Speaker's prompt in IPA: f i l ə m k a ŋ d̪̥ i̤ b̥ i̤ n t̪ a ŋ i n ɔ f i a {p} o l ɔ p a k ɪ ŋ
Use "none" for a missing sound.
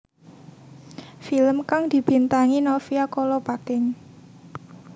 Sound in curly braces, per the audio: k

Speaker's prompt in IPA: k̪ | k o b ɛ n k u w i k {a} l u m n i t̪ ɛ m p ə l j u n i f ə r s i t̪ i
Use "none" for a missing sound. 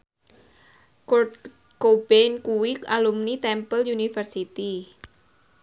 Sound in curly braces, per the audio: a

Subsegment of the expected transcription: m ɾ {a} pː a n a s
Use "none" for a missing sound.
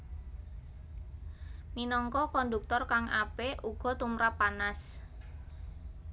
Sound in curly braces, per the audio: a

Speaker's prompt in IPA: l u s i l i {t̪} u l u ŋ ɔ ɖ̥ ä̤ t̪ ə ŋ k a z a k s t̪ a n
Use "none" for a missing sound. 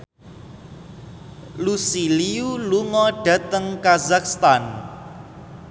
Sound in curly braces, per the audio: none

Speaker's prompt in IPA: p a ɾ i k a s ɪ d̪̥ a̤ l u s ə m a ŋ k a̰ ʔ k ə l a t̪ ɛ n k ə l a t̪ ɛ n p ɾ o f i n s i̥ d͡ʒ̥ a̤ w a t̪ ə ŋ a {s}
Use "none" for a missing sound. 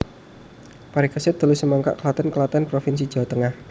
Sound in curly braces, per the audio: h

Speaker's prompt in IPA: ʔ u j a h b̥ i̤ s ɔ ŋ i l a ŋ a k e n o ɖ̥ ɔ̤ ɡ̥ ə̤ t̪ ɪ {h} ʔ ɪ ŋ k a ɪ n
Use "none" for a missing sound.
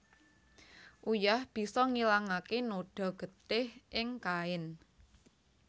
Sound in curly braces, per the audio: h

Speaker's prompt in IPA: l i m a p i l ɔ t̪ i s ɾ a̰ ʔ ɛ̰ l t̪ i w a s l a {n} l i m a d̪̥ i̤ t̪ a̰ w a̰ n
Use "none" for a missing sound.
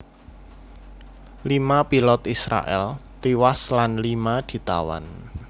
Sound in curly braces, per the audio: n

